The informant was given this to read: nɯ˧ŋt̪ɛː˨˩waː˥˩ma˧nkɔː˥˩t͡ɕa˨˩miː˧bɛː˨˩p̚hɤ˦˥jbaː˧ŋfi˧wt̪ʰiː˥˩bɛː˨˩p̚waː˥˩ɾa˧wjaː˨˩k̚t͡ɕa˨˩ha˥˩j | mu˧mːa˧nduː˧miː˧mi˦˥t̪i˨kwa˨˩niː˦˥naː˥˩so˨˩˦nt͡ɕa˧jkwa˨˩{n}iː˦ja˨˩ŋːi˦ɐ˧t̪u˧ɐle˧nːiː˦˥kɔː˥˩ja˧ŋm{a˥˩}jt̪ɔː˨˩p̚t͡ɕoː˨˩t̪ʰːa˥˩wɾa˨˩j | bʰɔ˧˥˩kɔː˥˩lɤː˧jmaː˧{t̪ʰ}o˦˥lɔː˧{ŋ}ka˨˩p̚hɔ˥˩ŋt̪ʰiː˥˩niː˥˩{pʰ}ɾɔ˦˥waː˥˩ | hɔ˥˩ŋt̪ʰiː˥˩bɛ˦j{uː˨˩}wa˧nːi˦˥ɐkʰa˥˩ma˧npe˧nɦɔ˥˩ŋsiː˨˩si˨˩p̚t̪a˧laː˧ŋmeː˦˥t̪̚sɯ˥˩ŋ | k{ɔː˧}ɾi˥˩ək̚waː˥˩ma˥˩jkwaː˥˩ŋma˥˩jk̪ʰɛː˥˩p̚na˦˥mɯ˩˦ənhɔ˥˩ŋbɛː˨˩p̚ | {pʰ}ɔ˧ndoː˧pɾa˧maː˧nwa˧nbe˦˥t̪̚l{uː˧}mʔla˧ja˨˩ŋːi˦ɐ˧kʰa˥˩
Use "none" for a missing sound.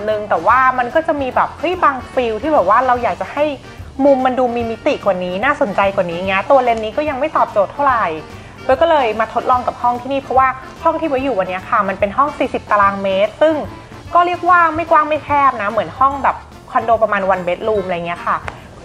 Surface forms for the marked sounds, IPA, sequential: n, a˥˩, t̪ʰ, ŋ, pʰ, uː˨˩, ɔː˥˩, kʰ, uː˧

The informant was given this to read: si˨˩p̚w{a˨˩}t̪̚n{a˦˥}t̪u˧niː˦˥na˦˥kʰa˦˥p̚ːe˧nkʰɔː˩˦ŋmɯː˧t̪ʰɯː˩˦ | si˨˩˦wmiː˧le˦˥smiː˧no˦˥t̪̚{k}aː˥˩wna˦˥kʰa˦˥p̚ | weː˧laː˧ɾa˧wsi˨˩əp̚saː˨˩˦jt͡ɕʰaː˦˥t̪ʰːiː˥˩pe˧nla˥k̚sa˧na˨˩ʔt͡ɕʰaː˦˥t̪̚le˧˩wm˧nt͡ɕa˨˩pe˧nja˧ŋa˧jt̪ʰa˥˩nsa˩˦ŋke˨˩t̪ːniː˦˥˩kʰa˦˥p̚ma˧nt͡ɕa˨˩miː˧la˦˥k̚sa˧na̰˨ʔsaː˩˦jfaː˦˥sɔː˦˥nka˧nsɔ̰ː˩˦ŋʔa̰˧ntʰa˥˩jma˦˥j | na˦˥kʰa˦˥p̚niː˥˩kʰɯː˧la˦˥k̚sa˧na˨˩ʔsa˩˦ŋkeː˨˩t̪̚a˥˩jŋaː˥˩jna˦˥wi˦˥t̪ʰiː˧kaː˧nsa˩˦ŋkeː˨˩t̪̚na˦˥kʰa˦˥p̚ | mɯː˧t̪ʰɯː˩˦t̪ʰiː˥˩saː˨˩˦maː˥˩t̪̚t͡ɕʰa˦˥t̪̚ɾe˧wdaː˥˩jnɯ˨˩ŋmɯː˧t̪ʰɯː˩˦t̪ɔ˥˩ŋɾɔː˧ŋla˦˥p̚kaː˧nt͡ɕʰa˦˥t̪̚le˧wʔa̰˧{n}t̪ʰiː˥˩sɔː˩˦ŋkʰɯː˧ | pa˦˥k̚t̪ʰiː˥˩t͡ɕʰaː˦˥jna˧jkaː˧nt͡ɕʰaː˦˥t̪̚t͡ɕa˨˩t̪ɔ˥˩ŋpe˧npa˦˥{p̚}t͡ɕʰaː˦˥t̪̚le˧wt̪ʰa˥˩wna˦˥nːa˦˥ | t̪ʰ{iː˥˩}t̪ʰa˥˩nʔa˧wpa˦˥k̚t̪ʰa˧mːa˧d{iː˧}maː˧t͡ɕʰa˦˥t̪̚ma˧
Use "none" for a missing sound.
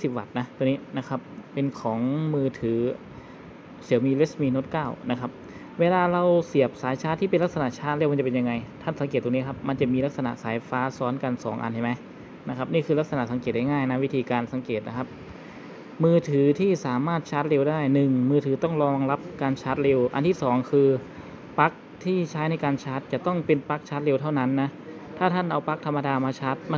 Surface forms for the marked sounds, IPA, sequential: a˨˩, a˦˥, k, n, k̚, aː˥˩, aː˧

